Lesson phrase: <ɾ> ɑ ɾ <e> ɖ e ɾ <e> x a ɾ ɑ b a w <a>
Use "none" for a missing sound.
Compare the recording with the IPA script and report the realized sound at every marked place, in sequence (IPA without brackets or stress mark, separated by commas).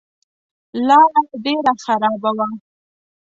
l, a, a, a